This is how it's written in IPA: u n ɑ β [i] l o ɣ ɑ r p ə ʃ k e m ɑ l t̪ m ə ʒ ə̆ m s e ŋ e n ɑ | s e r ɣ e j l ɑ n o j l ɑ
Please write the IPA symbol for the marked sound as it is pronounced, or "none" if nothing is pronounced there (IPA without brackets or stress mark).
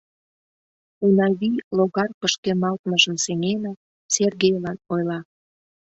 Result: i